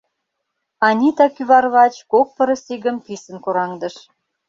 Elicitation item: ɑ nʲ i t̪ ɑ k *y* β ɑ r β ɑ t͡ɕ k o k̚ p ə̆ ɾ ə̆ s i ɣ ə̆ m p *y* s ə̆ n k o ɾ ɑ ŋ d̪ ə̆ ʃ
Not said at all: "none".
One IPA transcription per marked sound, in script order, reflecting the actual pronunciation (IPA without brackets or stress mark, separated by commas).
y, i